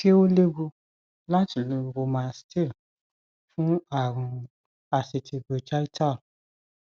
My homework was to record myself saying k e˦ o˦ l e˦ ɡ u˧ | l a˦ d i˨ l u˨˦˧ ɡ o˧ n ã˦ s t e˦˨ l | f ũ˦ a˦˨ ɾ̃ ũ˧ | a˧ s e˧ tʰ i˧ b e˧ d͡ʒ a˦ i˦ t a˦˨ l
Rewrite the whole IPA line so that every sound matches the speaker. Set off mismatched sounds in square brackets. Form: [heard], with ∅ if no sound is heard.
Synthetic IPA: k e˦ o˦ l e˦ ɡ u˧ | l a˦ [t] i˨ l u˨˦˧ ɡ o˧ [m] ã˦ s t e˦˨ l | f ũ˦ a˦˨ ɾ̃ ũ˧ | a˧ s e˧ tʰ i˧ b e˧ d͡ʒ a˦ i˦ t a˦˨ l